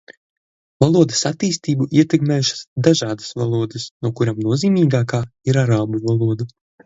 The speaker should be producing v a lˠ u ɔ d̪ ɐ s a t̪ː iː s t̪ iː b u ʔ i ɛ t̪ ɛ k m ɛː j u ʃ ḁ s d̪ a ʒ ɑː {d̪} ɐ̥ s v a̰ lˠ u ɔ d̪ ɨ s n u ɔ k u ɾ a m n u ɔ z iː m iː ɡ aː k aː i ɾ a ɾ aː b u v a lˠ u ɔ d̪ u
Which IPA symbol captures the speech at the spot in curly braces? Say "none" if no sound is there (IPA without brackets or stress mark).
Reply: d̪